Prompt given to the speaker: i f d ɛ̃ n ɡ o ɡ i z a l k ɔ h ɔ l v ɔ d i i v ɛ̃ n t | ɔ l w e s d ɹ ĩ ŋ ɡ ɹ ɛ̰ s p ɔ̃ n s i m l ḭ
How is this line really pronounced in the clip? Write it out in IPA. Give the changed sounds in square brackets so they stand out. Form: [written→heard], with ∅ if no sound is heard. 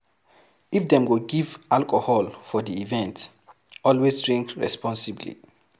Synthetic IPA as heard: i f d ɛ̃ [n→m] ɡ o ɡ i [z→v] a l k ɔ h ɔ l [v→f] ɔ d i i v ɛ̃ n t | ɔ l w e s d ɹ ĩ ŋ [ɡ→k] ɹ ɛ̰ s p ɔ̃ n s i [m→b] l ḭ